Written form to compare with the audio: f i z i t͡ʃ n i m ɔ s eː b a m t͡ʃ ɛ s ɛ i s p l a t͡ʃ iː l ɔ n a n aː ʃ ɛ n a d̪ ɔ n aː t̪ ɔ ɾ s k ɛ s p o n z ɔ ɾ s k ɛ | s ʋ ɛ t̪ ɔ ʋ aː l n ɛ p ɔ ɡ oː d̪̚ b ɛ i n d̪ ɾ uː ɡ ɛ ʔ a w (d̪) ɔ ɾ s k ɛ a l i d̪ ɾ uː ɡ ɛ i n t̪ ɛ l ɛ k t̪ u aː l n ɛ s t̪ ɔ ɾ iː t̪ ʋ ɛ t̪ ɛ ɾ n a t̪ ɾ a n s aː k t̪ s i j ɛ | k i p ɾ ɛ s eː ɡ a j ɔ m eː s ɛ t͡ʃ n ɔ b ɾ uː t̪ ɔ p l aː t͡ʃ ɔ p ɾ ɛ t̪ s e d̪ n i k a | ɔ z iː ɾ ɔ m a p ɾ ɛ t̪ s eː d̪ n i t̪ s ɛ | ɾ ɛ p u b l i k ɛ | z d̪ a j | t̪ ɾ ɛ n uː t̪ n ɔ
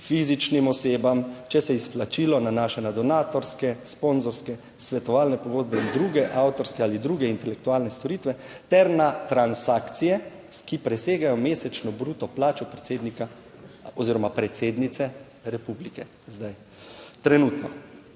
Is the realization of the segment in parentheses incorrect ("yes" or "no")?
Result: yes